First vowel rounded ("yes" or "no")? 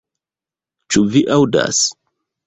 yes